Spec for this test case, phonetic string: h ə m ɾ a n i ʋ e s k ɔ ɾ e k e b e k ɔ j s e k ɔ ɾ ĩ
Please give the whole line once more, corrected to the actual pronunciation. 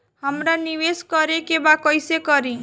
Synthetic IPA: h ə m ɾ a n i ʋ e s k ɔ ɾ e k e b a k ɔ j s e k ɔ ɾ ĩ

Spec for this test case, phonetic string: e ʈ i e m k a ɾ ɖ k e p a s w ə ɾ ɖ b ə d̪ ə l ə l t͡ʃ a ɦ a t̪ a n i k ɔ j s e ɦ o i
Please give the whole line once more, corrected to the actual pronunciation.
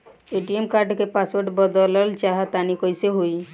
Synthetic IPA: e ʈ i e m k a ɾ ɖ k e p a s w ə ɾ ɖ b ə d̪ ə l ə l t͡ʃ a ɦ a t̪ a n i k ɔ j s e ɦ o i

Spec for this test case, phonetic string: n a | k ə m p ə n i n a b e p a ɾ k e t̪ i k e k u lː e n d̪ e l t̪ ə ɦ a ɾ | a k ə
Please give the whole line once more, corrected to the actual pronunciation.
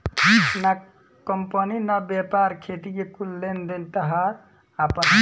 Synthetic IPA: n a | k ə m p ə n i n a b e p a ɾ kʰ e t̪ i k e k u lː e n d̪ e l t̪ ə ɦ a ɾ | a p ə

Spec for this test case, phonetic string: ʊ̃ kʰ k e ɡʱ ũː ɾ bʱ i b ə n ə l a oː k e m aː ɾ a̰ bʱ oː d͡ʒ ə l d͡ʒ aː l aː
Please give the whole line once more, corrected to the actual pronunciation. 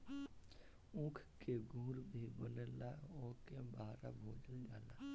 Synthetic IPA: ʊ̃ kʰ k e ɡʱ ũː ɾ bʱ i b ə n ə l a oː k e b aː ɾ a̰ bʱ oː d͡ʒ ə l d͡ʒ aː l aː

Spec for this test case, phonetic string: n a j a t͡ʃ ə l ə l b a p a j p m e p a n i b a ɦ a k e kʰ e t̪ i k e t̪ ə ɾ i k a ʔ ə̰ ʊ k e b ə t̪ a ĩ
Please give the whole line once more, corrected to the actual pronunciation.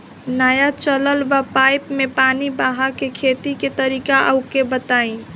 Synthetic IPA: n a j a t͡ʃ ə l ə l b a p a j p m e p a n i b a ɦ a k e kʰ e t̪ i k e t̪ ə ɾ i k a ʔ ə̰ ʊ k e b ə t̪ a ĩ

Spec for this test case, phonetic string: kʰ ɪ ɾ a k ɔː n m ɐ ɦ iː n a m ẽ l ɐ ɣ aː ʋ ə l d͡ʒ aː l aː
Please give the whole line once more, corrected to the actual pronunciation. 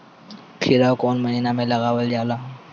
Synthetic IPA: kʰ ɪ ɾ a k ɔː n m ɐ ɦ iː n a m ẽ l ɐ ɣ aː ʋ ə l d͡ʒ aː l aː

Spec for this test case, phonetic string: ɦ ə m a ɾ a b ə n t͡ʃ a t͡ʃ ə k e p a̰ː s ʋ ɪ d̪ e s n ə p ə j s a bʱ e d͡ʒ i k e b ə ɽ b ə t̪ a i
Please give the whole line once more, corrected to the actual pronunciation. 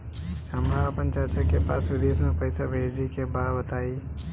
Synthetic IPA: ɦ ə m a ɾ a p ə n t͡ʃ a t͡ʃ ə k e p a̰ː s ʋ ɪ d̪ e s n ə p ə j s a bʱ e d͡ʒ i k e b a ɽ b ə t̪ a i

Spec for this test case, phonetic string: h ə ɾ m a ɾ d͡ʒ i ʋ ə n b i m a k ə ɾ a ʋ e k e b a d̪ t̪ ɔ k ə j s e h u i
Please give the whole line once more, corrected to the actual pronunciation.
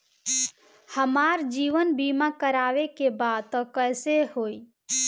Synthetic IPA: h ə m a ɾ d͡ʒ i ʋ ə n b i m a k ə ɾ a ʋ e k e b a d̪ t̪ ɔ k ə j s e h o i

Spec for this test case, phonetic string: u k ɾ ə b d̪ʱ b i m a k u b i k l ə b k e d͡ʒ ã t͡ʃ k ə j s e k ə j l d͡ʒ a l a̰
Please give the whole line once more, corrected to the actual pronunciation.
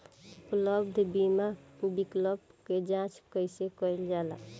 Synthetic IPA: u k l ə b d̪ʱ b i m a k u b i k l ə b k e d͡ʒ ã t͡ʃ k ə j s e k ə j l d͡ʒ a l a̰

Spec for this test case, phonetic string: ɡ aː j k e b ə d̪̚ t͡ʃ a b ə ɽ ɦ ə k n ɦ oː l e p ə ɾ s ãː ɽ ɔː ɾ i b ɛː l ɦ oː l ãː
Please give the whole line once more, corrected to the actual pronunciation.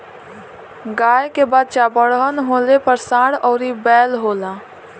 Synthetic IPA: ɡ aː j k e b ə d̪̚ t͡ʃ a b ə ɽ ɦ ə n ɦ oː l e p ə ɾ s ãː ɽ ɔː ɾ i b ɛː l ɦ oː l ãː

